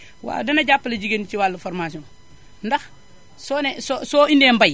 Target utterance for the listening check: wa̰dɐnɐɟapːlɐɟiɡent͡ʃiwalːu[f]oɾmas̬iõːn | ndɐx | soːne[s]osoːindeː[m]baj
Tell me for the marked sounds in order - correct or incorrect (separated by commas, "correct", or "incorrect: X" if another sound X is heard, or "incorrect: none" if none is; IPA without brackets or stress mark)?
correct, correct, correct